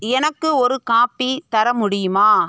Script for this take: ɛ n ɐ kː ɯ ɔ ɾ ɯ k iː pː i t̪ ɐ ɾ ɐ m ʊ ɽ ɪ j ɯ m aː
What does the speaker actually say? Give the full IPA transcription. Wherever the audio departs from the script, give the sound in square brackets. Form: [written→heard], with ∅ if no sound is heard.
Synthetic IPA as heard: ɛ n ɐ kː ɯ ɔ ɾ ɯ k [iː→aː] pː i t̪ ɐ ɾ ɐ m ʊ ɽ ɪ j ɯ m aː